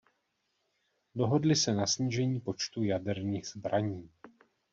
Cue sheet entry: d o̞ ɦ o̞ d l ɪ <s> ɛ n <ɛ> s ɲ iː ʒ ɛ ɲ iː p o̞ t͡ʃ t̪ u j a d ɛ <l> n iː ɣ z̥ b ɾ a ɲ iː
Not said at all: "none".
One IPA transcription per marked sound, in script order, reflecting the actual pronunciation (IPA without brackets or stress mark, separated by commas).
s, a, ɾ